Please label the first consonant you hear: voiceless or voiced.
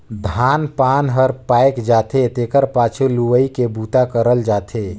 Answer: voiced